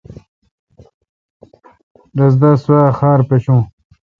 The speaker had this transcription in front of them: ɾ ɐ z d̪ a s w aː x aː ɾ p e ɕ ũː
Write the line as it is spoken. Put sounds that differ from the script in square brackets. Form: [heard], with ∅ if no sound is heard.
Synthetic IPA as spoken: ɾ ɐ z d̪ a s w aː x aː ɾ p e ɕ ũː